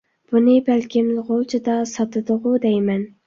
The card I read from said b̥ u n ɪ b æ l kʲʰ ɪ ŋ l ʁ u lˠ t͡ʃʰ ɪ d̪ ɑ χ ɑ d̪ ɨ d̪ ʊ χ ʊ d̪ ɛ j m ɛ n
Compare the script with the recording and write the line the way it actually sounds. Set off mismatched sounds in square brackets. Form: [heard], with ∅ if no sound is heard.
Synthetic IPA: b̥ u n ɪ b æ l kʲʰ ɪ [m] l ʁ [o] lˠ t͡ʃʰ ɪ d̪ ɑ [s] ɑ [t̪] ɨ d̪ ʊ [ʁ] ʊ d̪ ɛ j m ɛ n